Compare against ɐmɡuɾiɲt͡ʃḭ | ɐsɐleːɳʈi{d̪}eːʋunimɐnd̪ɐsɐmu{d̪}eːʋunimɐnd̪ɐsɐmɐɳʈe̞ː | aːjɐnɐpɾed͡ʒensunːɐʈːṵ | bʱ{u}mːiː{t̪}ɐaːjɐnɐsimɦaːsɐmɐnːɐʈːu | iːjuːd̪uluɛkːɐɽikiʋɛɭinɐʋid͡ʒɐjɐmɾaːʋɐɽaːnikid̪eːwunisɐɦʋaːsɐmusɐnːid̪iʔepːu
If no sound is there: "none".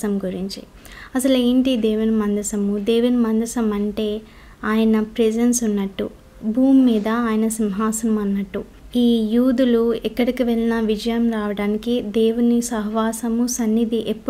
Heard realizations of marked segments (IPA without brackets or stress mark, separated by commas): d̪, d̪, uː, d̪